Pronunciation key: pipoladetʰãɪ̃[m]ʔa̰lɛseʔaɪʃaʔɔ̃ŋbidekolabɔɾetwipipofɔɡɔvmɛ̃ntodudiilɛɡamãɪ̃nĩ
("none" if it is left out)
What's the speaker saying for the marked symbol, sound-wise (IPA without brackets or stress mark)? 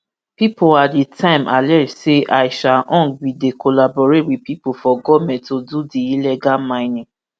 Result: m